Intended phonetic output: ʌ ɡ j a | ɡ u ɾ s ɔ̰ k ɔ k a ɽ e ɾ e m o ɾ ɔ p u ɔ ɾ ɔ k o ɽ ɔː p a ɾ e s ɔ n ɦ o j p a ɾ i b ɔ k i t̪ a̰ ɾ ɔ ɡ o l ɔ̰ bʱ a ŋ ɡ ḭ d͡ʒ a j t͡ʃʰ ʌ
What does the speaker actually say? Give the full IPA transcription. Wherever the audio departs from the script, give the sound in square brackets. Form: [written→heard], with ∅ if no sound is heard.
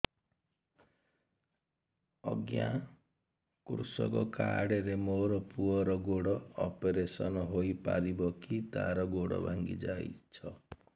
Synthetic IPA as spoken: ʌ ɡ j a | [ɡ→k] u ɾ s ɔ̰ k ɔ k a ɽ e ɾ e m o ɾ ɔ p u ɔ ɾ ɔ [k→ɡ] o ɽ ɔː p [a→e] ɾ e s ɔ n ɦ o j p a ɾ i b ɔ k i t̪ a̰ ɾ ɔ ɡ o [l→ɽ] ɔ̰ bʱ a ŋ ɡ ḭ d͡ʒ a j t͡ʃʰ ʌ

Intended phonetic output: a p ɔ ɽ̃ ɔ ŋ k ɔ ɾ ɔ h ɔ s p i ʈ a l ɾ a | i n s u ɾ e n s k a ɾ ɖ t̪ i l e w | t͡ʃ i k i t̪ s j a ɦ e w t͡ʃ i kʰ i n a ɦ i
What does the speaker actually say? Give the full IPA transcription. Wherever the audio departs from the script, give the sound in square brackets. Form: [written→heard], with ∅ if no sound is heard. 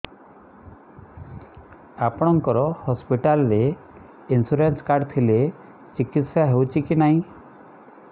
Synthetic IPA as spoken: a p ɔ ɽ̃ ɔ ŋ k ɔ ɾ ɔ h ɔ s p i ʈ a l ɾ [a→e] | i n s u ɾ e n s k a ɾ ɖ [t̪→t̪ʰ] i l e [w→∅] | t͡ʃ i k i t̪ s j a ɦ e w t͡ʃ i [kʰ→k] i n a ɦ [i→ĩ]

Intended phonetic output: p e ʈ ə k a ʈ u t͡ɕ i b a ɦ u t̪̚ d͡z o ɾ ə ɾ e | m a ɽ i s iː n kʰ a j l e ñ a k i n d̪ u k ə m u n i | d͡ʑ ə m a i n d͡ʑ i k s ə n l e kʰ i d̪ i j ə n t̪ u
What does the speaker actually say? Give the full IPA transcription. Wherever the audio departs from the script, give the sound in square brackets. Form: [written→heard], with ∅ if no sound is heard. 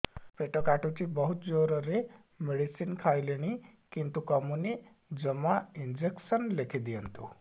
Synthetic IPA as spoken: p e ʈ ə k a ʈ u t͡ɕ i b [a→ə] ɦ u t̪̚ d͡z o ɾ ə ɾ e | m [a→e] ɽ i s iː n kʰ a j l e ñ [a→i] k i n [d̪→t̪] u k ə m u n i | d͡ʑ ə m a i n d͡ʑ [i→e] k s ə n l e kʰ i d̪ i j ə n t̪ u

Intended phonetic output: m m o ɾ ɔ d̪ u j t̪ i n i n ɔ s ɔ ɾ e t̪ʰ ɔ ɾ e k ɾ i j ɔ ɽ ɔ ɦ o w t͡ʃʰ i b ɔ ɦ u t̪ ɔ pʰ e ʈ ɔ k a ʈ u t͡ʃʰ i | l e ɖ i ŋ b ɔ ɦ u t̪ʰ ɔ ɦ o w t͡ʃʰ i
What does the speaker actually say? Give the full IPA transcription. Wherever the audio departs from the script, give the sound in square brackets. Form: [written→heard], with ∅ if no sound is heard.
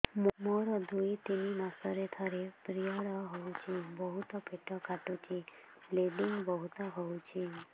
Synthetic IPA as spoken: m m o ɾ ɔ d̪ u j t̪ i n i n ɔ s ɔ ɾ e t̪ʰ ɔ ɾ e [k→p] ɾ i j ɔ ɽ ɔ ɦ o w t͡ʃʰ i b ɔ ɦ u t̪ ɔ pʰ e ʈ ɔ k a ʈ u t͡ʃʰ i | l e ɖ i ŋ b ɔ ɦ u [t̪ʰ→t̪] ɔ ɦ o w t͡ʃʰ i

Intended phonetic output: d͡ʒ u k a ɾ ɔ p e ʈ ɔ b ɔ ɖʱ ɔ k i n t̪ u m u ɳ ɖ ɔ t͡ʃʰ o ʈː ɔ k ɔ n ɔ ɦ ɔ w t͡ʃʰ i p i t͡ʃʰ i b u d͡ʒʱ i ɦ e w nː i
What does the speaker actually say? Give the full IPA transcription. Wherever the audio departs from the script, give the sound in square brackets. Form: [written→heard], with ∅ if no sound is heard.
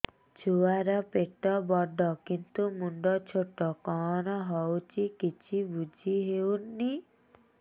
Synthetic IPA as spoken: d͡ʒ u [k→∅] a ɾ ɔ p e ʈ ɔ b ɔ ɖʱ ɔ k i n t̪ u m u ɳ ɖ ɔ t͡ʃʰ o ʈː ɔ k ɔ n ɔ ɦ ɔ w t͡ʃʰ i [p→k] i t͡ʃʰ i b u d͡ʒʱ i ɦ e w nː i

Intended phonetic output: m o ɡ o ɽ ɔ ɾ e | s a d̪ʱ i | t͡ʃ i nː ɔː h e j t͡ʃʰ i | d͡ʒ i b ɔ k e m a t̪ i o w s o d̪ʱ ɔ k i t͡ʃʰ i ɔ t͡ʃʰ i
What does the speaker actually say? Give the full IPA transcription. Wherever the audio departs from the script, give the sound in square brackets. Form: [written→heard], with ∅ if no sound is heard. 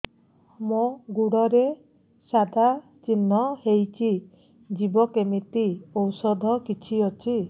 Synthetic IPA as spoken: m o ɡ [o→u] ɽ ɔ ɾ e | s a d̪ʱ [i→a] | t͡ʃ i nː [ɔː→ɔ] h e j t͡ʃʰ i | d͡ʒ i b ɔ k e m [a→i] t̪ i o w s [o→ɔ] d̪ʱ ɔ k i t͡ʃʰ i ɔ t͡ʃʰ i

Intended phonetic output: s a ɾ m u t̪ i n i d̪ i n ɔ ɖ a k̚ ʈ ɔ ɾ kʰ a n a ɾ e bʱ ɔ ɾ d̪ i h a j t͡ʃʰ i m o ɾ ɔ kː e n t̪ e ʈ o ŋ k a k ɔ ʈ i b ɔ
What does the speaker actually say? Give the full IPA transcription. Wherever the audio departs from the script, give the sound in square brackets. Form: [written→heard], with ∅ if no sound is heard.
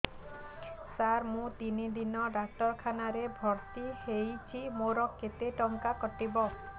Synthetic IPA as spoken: s a ɾ m [u→ũ] t̪ i n i d̪ i n ɔ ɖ a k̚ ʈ ɔ ɾ kʰ a n a ɾ e bʱ ɔ ɾ [d̪→t̪] i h [a→e] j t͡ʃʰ i m o ɾ ɔ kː e [n→∅] t̪ e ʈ [o→ɔ] ŋ k a k ɔ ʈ i b ɔ

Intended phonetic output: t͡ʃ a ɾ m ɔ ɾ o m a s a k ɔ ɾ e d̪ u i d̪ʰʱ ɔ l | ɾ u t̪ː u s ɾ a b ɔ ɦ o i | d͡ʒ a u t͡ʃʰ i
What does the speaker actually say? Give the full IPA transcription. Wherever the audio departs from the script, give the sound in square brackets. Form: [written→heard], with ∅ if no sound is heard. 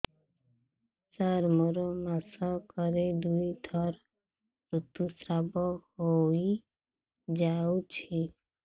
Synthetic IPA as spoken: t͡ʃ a ɾ m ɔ ɾ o m a s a k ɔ ɾ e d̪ u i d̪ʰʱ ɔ [l→ɾ] | ɾ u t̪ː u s ɾ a b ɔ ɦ o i | d͡ʒ a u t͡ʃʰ i

